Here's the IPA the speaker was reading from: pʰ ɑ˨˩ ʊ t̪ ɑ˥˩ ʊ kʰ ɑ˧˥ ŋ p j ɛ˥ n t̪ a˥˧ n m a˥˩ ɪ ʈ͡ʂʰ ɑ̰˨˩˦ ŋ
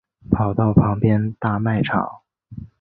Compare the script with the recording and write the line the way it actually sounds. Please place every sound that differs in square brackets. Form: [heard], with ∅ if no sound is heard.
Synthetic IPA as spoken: pʰ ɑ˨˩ ʊ t̪ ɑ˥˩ ʊ [pʰ] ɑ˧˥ ŋ p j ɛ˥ n t̪ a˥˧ [∅] m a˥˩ ɪ ʈ͡ʂʰ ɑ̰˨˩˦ ŋ